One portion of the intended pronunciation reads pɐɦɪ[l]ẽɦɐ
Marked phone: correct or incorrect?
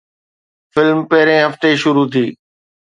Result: incorrect